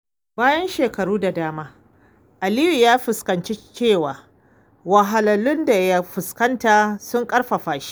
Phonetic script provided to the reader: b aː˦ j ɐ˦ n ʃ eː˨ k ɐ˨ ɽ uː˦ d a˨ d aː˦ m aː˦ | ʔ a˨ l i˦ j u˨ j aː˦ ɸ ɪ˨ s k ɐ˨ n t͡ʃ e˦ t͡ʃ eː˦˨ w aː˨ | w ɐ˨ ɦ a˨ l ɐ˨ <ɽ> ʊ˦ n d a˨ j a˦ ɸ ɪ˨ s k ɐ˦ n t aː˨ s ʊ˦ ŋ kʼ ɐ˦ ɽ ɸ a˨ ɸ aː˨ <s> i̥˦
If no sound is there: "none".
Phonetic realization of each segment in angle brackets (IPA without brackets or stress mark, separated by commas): l, ʃ